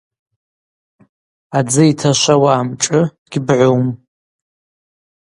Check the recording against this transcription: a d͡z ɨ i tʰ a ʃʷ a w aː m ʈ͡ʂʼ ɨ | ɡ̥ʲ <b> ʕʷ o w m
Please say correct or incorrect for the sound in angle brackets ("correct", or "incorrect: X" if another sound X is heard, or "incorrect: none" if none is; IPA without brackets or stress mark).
correct